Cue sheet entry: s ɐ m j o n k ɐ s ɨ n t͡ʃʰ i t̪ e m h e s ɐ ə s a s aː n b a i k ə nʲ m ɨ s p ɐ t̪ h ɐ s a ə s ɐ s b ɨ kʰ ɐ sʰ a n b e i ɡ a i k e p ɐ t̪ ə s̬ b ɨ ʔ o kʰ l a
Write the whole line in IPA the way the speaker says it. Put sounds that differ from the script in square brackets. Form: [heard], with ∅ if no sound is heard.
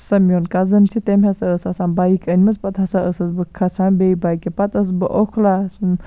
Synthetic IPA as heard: s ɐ m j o n k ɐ [z] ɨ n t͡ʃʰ i t̪ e m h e s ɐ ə s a s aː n b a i k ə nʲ m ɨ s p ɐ t̪ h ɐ s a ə s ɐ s b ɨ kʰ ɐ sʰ a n b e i [b] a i k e p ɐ t̪ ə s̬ b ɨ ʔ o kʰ l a